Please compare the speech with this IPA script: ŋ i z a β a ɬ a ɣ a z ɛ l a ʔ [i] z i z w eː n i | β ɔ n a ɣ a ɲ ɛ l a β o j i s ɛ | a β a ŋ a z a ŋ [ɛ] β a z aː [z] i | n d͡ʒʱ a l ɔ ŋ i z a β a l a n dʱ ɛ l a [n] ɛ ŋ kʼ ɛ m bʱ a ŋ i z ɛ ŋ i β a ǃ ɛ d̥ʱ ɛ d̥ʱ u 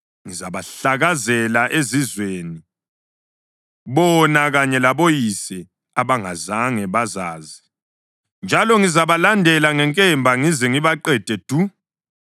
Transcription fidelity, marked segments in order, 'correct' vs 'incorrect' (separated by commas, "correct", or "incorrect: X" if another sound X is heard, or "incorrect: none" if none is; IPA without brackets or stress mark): incorrect: e, correct, correct, incorrect: ŋ